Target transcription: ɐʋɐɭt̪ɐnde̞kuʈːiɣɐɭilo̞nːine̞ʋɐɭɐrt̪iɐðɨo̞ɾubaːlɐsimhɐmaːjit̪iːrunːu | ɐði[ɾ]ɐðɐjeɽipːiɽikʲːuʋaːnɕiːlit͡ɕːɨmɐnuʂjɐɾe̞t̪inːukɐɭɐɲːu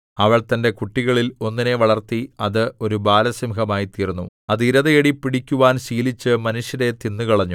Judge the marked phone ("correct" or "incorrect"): correct